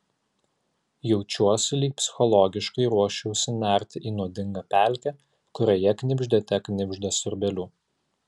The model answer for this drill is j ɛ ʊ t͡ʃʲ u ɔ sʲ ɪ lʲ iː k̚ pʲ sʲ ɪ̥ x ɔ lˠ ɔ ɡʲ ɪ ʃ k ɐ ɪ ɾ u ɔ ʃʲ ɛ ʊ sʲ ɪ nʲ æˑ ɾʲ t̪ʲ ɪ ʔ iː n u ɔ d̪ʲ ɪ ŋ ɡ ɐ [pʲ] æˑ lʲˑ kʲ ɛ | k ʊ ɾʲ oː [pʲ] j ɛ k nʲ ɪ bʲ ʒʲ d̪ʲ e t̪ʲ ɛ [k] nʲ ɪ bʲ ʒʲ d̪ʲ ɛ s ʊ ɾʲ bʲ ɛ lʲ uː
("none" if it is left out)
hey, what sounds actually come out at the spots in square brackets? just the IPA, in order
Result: pʲ, none, k

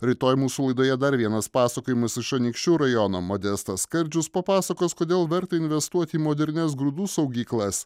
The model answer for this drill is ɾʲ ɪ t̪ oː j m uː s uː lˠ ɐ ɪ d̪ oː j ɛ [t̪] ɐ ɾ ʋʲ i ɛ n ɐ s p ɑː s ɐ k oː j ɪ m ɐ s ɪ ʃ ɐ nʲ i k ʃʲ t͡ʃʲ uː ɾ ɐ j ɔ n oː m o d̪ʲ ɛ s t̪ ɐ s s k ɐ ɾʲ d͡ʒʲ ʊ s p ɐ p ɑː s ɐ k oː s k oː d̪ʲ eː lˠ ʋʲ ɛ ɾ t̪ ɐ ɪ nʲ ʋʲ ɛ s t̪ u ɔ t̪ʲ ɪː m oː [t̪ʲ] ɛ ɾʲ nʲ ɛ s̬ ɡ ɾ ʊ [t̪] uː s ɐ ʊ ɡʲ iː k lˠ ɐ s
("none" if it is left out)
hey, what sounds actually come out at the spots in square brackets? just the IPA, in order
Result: d̪, d̪ʲ, d̪

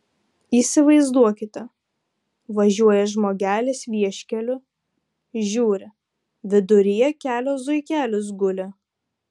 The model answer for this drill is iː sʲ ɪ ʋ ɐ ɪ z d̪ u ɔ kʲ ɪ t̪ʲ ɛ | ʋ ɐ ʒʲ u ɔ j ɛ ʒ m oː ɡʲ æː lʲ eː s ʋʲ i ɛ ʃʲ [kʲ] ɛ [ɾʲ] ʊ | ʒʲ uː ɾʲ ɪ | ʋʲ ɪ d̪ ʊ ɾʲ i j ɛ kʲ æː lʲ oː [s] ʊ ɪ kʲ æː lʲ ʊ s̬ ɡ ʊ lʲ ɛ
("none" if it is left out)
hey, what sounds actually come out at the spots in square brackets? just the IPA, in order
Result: kʲ, lʲ, z

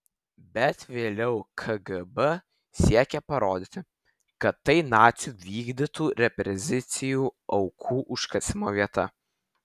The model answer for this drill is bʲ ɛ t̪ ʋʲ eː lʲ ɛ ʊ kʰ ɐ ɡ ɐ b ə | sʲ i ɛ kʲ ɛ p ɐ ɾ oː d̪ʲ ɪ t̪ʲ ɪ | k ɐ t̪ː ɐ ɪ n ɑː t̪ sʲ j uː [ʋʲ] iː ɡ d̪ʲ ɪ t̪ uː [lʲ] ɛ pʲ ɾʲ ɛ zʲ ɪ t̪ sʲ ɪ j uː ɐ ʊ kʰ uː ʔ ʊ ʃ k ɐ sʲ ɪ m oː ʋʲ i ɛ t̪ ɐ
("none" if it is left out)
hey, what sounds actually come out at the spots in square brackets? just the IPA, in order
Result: ʋʲ, ɾʲ

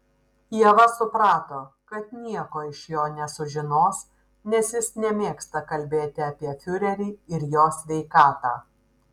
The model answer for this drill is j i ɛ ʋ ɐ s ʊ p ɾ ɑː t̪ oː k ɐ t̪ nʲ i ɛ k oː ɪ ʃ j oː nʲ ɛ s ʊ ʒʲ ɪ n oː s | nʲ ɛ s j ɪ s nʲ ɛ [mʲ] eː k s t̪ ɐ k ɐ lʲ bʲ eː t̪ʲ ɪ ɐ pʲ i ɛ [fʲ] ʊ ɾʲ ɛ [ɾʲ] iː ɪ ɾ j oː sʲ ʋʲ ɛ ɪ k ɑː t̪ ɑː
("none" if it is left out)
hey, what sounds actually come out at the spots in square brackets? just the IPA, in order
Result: mʲ, fʲ, ɾʲ

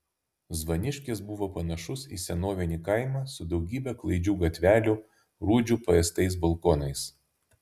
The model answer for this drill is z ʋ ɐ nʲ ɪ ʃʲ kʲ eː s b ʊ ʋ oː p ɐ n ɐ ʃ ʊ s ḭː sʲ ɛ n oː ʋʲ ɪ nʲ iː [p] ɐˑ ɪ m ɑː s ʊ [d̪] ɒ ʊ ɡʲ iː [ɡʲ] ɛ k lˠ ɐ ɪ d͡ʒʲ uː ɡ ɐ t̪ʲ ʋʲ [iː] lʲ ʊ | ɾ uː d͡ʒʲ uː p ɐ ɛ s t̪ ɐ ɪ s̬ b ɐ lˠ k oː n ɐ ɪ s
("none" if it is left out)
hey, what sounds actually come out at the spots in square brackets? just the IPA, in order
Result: k, d̪, bʲ, æː

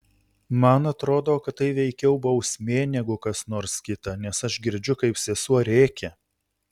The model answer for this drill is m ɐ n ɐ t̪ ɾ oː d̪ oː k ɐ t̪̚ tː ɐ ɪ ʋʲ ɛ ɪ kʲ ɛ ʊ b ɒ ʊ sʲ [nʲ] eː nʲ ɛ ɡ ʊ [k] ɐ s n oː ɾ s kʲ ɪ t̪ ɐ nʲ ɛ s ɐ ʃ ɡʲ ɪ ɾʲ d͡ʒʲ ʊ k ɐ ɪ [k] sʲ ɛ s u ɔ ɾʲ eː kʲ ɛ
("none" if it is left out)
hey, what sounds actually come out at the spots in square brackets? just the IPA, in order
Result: mʲ, k, p

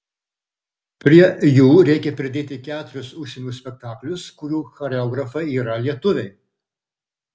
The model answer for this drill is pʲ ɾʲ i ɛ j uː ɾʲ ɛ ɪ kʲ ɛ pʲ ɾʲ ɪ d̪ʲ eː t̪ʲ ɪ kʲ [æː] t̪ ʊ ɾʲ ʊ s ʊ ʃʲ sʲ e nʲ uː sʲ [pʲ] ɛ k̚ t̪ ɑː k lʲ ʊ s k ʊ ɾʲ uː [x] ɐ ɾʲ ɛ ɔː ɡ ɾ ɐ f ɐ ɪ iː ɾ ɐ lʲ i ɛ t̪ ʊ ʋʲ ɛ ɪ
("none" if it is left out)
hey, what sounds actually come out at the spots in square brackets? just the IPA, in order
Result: æː, pʲ, x

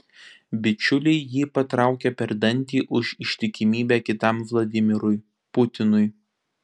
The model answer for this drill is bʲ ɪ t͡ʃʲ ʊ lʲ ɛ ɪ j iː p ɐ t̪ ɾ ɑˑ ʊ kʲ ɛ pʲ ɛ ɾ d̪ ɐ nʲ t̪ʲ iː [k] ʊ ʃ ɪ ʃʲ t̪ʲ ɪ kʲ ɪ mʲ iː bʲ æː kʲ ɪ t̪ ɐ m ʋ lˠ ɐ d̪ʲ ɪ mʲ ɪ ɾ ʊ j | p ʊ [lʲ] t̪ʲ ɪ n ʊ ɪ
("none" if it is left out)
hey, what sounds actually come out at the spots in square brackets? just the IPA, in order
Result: ʔ, none

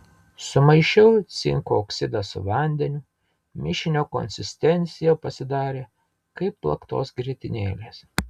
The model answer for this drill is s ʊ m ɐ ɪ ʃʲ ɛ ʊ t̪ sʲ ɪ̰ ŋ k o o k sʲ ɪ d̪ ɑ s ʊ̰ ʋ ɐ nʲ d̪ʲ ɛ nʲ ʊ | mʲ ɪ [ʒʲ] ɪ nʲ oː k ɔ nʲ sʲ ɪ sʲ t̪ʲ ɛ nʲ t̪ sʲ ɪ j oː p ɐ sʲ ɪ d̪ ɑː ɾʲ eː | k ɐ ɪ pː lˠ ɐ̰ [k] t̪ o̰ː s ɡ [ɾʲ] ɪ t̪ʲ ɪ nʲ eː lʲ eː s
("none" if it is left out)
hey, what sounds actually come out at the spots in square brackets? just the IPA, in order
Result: ʃʲ, k, ɾʲ

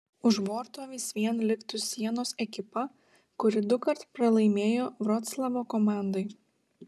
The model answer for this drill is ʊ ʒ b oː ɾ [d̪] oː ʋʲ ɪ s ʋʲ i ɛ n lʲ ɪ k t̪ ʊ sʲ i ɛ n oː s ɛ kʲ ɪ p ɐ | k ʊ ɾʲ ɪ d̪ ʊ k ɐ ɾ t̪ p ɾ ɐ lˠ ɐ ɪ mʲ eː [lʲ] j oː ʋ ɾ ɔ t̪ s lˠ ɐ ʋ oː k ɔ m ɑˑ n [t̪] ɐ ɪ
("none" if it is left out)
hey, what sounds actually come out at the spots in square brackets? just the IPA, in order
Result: t̪, none, d̪

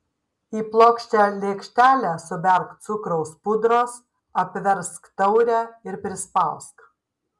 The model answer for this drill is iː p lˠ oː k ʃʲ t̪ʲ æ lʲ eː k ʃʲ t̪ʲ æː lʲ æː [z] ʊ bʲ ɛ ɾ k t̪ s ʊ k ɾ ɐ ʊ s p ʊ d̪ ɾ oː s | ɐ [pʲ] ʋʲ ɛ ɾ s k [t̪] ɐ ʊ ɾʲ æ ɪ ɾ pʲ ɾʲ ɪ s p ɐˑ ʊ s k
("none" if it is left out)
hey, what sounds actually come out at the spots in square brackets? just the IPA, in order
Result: s, pʲ, t̪

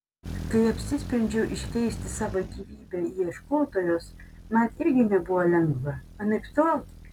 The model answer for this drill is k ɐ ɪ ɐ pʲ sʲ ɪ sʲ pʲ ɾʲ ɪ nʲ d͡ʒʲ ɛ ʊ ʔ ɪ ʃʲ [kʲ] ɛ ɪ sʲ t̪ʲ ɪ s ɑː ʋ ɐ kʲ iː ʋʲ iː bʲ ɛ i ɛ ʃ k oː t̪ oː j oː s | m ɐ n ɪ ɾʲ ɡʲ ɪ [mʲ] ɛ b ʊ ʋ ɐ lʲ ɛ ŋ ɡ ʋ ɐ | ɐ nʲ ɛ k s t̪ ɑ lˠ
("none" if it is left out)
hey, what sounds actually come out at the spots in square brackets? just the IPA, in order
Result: kʲ, nʲ

